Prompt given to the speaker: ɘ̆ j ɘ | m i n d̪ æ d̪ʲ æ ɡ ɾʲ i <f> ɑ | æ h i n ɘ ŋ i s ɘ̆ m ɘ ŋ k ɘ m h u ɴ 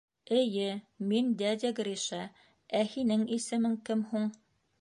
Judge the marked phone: incorrect: ʃ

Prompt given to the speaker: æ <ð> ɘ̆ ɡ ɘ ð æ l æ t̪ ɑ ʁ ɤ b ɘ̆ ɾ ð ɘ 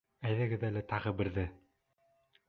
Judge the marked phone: correct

